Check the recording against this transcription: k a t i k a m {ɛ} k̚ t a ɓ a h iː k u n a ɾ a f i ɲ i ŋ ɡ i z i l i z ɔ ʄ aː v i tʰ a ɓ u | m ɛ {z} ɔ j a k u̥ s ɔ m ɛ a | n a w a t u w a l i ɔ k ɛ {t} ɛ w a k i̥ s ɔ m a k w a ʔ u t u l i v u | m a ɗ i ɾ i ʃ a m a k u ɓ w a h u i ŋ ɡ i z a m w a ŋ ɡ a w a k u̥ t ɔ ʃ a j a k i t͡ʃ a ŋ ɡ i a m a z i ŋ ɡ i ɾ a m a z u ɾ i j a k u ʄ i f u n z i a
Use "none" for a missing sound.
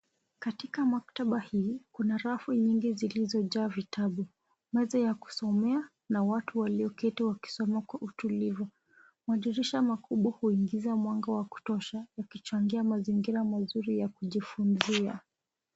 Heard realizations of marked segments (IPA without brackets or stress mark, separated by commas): a, z, t